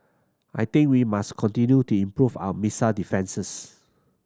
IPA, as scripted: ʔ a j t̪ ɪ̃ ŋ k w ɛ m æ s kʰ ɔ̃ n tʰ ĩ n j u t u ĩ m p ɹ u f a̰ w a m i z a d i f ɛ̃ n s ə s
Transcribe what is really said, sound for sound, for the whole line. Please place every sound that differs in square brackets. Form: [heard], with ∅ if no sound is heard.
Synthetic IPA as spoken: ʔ a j t̪ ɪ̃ ŋ k w [i] m [a] s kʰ ɔ̃ n [t] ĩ n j u t u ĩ m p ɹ u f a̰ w [ə] m i [s] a d i f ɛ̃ n s ə s